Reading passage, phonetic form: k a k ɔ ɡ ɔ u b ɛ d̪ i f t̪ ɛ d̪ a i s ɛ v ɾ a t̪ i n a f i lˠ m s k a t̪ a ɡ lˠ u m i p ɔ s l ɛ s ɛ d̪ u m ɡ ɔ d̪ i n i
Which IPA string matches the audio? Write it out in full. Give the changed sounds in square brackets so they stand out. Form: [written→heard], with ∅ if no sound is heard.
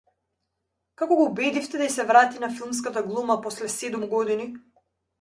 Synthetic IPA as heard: k a k ɔ ɡ ɔ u b ɛ d̪ i f t̪ ɛ d̪ a i s ɛ v ɾ a t̪ i n a f i lˠ m s k a t̪ a ɡ lˠ u m [i→a] p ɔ s l ɛ s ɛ d̪ u m ɡ ɔ d̪ i n i